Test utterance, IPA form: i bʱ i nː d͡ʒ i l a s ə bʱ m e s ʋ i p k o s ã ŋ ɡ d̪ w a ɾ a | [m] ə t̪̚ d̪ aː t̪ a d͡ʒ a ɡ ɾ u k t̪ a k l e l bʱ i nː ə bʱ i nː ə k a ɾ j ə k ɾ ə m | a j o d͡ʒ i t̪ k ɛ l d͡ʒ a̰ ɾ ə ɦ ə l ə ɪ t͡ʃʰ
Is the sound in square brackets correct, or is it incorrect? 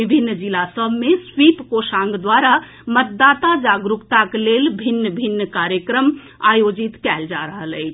correct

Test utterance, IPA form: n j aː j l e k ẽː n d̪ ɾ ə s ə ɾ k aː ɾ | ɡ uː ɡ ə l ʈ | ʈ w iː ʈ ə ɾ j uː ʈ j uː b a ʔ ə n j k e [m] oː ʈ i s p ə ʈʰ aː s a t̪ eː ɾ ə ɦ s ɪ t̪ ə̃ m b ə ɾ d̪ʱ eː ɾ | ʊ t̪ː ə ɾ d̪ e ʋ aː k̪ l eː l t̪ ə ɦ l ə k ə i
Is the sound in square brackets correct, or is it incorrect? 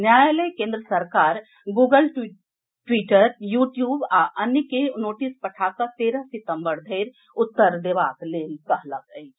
incorrect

